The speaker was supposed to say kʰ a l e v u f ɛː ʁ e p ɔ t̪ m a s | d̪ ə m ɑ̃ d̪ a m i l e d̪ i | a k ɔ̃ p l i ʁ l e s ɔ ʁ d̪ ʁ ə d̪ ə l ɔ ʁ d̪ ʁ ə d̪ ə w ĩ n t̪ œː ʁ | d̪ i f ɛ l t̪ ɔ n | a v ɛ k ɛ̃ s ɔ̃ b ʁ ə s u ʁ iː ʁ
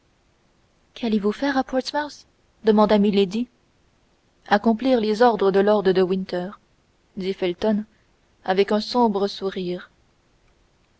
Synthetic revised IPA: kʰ a l e v u f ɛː ʁ a p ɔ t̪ m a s | d̪ ə m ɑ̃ d̪ a m i l e d̪ i | a k ɔ̃ p l i ʁ l e z ɔ ʁ d̪ ʁ ə d̪ ə l ɔ ʁ d̪ ʁ ə d̪ ə w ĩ n t̪ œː ʁ | d̪ i f ɛ l t̪ ɔ n | a v ɛ k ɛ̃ s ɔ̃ b ʁ ə s u ʁ iː ʁ